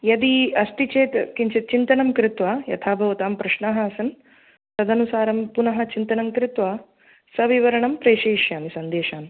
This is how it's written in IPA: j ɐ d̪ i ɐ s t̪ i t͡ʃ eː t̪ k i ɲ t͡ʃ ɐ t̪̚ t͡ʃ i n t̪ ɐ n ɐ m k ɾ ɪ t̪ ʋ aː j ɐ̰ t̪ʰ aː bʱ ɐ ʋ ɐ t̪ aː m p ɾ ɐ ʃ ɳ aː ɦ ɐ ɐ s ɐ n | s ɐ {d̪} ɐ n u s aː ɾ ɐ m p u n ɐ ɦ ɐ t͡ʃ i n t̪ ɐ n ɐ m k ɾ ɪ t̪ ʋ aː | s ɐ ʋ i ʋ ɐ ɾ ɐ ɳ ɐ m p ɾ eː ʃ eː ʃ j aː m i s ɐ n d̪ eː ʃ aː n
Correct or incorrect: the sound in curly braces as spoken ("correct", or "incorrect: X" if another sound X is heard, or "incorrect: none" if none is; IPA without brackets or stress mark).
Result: correct